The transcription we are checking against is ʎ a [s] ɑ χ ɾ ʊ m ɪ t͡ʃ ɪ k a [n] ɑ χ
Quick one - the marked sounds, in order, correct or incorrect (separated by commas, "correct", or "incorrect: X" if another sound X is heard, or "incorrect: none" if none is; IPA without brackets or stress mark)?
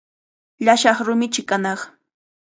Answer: incorrect: ʃ, correct